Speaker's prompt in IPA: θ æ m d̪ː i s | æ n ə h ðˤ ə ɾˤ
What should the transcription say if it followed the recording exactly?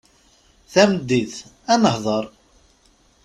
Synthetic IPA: θ æ m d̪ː i θ | æ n ə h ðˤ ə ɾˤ